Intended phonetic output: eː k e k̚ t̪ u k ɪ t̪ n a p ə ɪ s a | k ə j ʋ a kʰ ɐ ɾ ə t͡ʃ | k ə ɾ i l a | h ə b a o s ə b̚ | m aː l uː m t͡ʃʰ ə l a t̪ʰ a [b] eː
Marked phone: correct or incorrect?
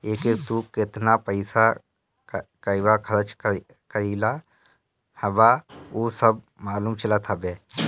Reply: correct